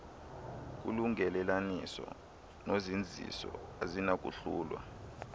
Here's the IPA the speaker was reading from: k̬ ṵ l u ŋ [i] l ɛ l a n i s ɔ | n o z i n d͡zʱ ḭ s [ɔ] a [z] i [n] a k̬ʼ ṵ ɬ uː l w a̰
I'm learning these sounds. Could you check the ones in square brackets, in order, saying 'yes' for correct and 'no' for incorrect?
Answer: no, yes, yes, yes

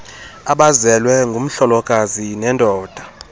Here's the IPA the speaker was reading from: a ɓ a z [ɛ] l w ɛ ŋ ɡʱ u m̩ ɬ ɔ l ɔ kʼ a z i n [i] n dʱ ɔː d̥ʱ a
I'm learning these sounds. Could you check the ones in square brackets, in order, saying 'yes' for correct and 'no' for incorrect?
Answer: yes, no

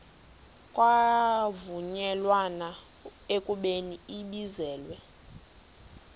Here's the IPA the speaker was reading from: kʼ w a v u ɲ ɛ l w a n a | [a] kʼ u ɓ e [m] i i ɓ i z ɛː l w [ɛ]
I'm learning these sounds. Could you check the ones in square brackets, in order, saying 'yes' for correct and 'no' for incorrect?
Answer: no, no, yes

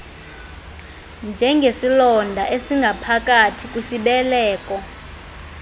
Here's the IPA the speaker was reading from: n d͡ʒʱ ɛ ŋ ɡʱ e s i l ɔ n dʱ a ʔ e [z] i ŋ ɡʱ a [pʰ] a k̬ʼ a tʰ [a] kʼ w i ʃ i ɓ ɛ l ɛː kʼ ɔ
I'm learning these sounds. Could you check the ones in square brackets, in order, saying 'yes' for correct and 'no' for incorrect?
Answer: no, yes, no

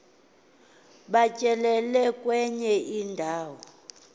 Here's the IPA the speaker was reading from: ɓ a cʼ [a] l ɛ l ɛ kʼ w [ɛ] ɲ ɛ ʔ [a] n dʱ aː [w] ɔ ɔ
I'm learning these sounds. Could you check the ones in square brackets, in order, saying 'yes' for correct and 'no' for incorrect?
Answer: no, yes, no, yes

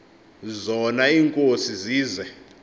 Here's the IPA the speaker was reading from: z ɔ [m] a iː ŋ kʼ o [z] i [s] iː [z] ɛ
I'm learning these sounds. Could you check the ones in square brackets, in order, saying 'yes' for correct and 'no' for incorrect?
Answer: no, no, no, yes

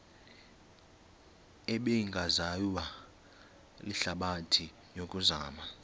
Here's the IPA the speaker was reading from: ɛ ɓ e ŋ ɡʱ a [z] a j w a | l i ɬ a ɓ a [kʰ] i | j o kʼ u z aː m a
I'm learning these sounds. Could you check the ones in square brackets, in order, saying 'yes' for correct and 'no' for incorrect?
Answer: yes, no

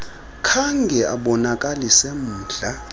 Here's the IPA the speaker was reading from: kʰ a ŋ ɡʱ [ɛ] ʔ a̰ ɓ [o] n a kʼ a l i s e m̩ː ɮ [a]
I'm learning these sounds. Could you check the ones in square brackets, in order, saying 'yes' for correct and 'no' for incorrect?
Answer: yes, no, yes

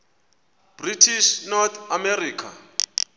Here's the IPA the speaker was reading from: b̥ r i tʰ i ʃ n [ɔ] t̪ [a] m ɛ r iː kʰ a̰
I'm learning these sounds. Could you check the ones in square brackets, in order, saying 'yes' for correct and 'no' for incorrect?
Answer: yes, yes

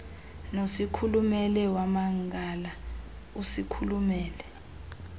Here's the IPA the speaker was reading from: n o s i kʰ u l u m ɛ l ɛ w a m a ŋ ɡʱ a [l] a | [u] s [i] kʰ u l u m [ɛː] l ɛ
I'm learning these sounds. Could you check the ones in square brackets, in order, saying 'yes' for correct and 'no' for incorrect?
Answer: yes, yes, yes, yes

